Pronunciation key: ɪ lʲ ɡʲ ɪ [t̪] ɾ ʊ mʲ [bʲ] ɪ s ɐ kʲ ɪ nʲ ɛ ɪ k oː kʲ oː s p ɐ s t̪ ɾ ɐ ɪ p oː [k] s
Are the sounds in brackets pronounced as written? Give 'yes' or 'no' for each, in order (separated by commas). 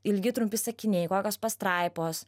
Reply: yes, no, no